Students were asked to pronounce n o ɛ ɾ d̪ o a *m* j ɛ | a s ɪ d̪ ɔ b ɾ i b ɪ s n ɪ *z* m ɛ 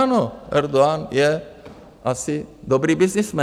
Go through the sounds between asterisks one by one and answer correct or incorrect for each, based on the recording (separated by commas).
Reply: incorrect, incorrect